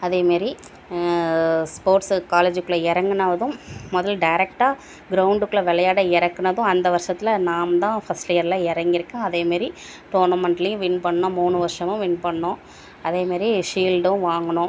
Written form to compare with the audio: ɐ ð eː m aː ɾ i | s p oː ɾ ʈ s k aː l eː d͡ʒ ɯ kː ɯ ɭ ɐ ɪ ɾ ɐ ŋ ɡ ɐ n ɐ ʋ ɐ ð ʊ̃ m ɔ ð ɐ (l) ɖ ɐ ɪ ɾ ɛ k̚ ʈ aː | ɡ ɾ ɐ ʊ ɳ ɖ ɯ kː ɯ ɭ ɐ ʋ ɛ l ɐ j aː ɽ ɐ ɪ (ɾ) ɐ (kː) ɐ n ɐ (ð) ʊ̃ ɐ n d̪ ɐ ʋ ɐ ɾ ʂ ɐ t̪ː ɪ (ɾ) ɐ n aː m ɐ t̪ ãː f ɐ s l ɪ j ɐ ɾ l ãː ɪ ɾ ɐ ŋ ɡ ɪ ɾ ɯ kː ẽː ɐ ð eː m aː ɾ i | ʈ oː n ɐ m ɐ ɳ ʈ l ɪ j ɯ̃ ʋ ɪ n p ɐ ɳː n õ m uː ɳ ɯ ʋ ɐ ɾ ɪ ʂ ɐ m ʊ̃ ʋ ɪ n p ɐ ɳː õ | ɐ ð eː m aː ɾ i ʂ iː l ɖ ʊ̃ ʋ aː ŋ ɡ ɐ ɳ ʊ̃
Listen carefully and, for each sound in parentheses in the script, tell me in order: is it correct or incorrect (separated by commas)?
correct, correct, correct, correct, incorrect